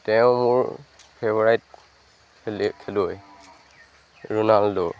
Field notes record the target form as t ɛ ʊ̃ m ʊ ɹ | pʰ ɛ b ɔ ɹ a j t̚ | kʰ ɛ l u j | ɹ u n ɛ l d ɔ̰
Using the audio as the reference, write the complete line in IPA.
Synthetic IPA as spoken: t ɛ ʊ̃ m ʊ ɹ | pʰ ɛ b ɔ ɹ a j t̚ | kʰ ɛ l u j | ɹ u n a l d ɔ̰

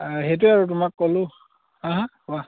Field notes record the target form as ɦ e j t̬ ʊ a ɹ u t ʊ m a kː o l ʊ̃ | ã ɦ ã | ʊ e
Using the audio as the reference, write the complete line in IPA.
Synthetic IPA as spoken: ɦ e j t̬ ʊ a ɹ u t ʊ m a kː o l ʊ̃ | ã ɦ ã | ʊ a

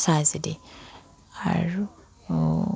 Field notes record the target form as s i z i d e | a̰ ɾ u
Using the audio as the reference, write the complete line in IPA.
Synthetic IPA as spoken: s a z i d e | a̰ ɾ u

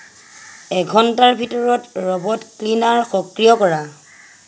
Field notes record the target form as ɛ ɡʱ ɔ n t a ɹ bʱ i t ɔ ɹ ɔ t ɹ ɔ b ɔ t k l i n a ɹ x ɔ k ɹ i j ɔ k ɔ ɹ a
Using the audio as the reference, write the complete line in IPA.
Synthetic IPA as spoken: ɛ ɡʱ ɔ n t a ɹ bʱ i t ɔ ɹ ɔ t ɹ ɔ b ɔ t k l i n a ɹ x ɔ k ɹ i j ɔ k ɔ ɹ a

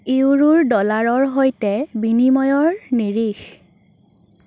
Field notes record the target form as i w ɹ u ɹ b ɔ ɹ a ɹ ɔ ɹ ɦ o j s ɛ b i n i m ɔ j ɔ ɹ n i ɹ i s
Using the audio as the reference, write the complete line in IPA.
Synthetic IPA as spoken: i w ɹ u ɹ d ɔ l a ɹ ɔ ɹ ɦ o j t ɛ b i n i m ɔ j ɔ ɹ n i ɹ i x

